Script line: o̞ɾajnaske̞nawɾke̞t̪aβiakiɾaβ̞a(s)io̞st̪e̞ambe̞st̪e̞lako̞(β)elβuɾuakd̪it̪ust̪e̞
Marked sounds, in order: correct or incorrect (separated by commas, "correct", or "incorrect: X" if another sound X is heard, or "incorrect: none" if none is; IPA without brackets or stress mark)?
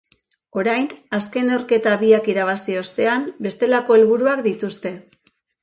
correct, incorrect: none